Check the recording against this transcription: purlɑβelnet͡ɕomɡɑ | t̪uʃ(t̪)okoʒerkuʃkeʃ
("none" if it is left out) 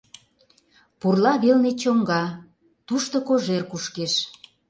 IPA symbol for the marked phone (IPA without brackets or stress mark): t̪